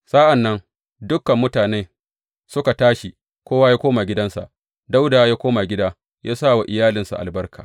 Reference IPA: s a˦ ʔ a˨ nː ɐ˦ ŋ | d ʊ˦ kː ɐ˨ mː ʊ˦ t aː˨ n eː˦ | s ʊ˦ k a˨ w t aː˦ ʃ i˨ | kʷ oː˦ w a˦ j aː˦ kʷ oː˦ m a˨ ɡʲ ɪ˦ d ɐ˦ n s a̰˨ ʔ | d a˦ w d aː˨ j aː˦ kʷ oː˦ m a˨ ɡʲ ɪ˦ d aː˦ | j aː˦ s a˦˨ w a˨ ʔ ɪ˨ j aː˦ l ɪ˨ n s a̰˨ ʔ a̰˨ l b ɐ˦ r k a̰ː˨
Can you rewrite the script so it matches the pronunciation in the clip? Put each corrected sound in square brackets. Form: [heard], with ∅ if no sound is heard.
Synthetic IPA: s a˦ ʔ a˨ nː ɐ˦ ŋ | d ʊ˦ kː ɐ˨ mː ʊ˦ t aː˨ n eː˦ | s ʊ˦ k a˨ [∅] t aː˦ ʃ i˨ | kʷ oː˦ w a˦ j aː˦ kʷ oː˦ m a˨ ɡʲ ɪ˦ d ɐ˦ n s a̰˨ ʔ | d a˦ w d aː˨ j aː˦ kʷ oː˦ m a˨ ɡʲ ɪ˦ d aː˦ | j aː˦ s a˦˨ w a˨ ʔ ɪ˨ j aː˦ l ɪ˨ n s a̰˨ ʔ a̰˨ l b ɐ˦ r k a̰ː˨